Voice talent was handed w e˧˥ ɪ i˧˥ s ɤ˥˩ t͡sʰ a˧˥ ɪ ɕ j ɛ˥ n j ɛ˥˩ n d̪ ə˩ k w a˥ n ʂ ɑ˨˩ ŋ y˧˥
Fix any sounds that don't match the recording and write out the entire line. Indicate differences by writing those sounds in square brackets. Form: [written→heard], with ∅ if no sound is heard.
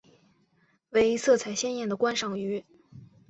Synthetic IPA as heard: w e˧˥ ɪ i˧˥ s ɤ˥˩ t͡sʰ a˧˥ ɪ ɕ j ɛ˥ n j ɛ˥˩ n d̪ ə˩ k w a˥ n ʂ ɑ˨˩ ŋ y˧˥